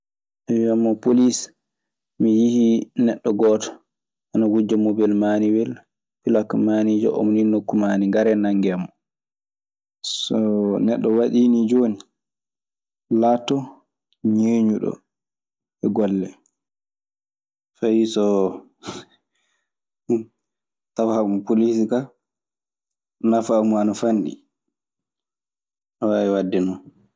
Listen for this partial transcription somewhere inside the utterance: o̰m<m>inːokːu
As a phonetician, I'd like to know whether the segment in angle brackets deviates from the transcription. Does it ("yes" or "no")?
yes